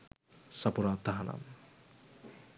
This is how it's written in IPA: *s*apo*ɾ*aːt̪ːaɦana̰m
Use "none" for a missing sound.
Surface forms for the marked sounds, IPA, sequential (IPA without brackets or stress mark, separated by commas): s, ɾ